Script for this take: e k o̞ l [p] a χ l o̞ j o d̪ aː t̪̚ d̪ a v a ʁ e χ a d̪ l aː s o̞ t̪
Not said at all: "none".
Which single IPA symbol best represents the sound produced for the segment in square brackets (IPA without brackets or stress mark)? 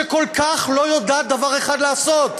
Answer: k